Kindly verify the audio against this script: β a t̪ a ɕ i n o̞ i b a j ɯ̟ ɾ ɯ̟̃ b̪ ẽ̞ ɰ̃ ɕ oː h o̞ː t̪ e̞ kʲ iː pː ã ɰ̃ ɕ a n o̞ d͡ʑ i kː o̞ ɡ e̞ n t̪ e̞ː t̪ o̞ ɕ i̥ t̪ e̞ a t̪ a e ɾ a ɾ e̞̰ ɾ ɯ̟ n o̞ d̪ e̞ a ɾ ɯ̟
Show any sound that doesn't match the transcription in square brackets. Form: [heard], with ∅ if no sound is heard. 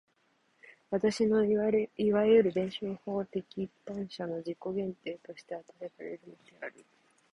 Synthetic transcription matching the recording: β a t̪ a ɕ i n o̞ i [β] a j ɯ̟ ɾ [ɯ̟] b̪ ẽ̞ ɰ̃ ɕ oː h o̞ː t̪ e̞ kʲ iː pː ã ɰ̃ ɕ a n o̞ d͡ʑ i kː o̞ ɡ [ẽ̞] n t̪ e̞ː t̪ o̞ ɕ i̥ t̪ e̞ a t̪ a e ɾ a ɾ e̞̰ ɾ ɯ̟ n o̞ d̪ e̞ a ɾ ɯ̟

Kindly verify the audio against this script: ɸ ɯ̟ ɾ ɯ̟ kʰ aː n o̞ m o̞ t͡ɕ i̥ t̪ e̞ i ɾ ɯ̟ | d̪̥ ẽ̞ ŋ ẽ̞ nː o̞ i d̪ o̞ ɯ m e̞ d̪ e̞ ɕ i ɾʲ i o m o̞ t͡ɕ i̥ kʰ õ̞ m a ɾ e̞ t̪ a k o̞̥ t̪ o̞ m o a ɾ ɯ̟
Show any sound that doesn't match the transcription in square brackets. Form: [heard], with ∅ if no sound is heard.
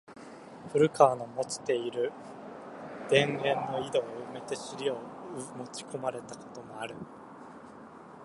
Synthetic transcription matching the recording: ɸ ɯ̟ ɾ ɯ̟ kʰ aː n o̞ m o̞ t͡ɕ i̥ t̪ e̞ i ɾ ɯ̟ | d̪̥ ẽ̞ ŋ ẽ̞ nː o̞ i d̪ o̞ ɯ m e̞ [t̪] e̞ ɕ i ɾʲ i o m o̞ t͡ɕ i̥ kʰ [o̞] m a ɾ e̞ t̪ a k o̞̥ t̪ o̞ m o a ɾ ɯ̟

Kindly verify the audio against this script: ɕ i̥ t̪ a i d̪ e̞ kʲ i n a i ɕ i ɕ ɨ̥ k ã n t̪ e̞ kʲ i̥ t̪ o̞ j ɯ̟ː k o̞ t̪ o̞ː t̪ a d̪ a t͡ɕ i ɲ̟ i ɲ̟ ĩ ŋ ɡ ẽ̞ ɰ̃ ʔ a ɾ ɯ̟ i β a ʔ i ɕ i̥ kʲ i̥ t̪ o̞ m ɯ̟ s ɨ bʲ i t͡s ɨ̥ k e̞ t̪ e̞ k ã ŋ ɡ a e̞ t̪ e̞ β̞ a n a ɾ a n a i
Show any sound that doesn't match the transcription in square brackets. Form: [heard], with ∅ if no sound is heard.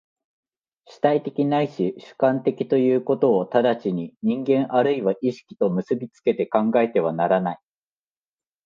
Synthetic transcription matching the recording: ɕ i̥ t̪ a i [t̪] e̞ kʲ i n a i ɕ i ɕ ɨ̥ k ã n t̪ e̞ kʲ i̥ t̪ o̞ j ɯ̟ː k o̞ t̪ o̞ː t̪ a d̪ a t͡ɕ i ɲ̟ i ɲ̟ ĩ ŋ ɡ ẽ̞ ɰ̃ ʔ a ɾ ɯ̟ i β a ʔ i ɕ i̥ kʲ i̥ t̪ o̞ m ɯ̟ s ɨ bʲ i t͡s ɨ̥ k e̞ t̪ e̞ k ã ŋ ɡ a e̞ t̪ e̞ β̞ a n a ɾ a n a i

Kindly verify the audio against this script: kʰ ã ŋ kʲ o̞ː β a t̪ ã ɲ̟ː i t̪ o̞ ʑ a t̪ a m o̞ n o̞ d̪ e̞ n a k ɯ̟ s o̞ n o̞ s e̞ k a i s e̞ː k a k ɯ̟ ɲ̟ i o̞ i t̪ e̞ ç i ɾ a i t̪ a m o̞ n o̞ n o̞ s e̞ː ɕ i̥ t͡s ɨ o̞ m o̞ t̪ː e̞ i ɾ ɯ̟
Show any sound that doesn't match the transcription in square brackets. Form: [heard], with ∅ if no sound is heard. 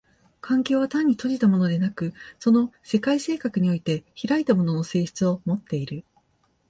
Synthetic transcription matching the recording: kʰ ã ŋ kʲ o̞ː β a t̪ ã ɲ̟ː i t̪ o̞ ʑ [i] t̪ a m o̞ n o̞ d̪ e̞ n a k ɯ̟ s o̞ n o̞ s e̞ k a i s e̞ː k a k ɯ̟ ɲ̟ i o̞ i t̪ e̞ ç i ɾ a i t̪ a m o̞ n o̞ n o̞ s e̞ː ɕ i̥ t͡s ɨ o̞ m o̞ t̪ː e̞ i ɾ ɯ̟

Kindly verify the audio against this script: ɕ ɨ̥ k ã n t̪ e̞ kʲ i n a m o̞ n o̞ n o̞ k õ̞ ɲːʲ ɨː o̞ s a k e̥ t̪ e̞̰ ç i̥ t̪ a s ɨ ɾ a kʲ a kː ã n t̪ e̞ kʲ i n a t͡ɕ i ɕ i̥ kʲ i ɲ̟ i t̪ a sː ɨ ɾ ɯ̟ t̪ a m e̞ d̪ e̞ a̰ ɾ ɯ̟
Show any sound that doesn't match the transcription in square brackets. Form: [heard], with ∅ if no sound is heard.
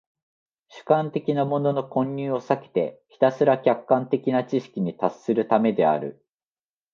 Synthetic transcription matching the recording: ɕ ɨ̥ k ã n t̪ e̞ kʲ i n a m o̞ n o̞ n o̞ k õ̞ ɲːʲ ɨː o̞ s a k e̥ t̪ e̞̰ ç i̥ t̪ a s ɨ ɾ a kʲ a kː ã n t̪ e̞ kʲ i n a t͡ɕ i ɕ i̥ kʲ i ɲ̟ i t̪ a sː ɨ ɾ ɯ̟ t̪ a m e̞ d̪ e̞ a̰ ɾ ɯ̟

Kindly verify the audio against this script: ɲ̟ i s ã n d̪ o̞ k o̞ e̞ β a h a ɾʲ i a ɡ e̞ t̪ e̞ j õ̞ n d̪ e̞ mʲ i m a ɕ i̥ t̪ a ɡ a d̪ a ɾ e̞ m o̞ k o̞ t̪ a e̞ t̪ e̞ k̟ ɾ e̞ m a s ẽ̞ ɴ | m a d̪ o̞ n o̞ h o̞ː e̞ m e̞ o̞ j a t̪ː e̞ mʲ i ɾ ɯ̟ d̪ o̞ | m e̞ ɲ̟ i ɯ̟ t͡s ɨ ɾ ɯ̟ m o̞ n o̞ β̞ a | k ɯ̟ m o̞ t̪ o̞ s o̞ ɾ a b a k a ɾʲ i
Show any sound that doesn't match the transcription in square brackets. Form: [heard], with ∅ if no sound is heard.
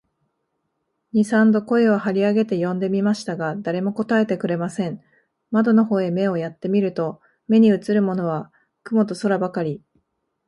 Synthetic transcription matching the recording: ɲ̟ i s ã n d̪ o̞ k o̞ e̞ β a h a ɾʲ i a ɡ e̞ t̪ e̞ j õ̞ n d̪ e̞ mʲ i m a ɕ i̥ t̪ a ɡ a d̪ a ɾ e̞ m o̞ k o̞ t̪ a e̞ t̪ e̞ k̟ ɾ e̞ m a s ẽ̞ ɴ | m a d̪ o̞ n o̞ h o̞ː e̞ m e̞ o̞ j a t̪ː e̞ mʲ i ɾ ɯ̟ [t̪] o̞ | m e̞ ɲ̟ i ɯ̟ t͡s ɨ ɾ ɯ̟ m o̞ n o̞ β̞ a | k ɯ̟ m o̞ t̪ o̞ s o̞ ɾ a b a k a ɾʲ i

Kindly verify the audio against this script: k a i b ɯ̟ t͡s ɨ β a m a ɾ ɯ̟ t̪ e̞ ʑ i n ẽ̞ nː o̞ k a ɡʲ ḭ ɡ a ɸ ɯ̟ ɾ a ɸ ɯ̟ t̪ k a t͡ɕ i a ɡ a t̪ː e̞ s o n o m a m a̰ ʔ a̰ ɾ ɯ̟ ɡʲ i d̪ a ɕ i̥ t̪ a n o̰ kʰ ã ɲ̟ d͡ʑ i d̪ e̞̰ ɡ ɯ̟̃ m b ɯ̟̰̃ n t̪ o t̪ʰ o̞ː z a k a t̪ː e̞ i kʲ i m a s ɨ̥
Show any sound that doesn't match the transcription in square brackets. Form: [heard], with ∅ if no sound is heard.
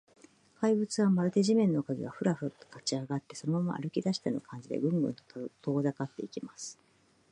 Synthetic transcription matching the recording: k a i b ɯ̟ t͡s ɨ β a m a ɾ ɯ̟ t̪ e̞ ʑ i [m] ẽ̞ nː o̞ k a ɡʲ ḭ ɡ a ɸ ɯ̟ ɾ a ɸ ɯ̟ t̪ k a t͡ɕ i a ɡ a t̪ː e̞ s o n o m a m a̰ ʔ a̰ ɾ ɯ̟ [kʲ] i d̪ a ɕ i̥ t̪ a n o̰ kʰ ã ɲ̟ d͡ʑ i d̪ e̞̰ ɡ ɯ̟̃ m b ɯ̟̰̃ n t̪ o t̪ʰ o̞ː z a k a t̪ː e̞ i kʲ i m a s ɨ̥

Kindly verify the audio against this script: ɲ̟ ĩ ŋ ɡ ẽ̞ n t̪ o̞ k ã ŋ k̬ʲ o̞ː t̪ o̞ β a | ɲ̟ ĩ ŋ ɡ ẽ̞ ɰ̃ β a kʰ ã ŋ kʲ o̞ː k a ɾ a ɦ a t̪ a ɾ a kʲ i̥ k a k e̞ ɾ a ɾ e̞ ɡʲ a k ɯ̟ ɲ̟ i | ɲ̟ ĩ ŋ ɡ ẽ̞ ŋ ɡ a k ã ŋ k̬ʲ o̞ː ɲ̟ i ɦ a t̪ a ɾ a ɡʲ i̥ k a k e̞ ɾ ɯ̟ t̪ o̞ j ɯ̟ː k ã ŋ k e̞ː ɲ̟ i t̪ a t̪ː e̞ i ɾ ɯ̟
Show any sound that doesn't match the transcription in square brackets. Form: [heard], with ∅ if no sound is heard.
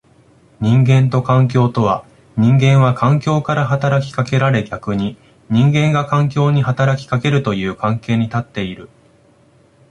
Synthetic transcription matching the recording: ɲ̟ ĩ ŋ ɡ ẽ̞ n t̪ o̞ k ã ŋ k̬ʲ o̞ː t̪ o̞ β a | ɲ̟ ĩ ŋ ɡ ẽ̞ ɰ̃ β a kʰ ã ŋ kʲ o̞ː k a ɾ a ɦ a t̪ a ɾ a kʲ i̥ k a k e̞ ɾ a ɾ e̞ ɡʲ a k ɯ̟ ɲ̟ i | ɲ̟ ĩ ŋ ɡ ẽ̞ ŋ ɡ a k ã ŋ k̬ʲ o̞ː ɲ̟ i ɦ a t̪ a ɾ a [kʲ] i̥ k a k e̞ ɾ ɯ̟ t̪ o̞ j ɯ̟ː k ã ŋ k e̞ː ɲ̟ i t̪ a t̪ː e̞ i ɾ ɯ̟

